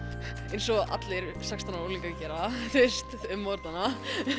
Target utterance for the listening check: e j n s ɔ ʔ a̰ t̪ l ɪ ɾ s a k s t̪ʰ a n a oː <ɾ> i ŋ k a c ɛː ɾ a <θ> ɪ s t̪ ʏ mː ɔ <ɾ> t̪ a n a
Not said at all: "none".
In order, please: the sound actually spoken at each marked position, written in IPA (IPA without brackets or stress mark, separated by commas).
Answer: l, θ, ɾ